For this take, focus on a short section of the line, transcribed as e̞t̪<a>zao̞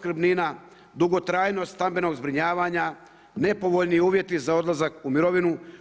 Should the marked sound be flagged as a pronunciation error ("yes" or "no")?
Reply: yes